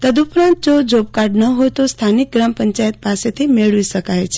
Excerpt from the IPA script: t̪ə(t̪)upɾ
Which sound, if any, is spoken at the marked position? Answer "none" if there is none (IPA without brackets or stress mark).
d̪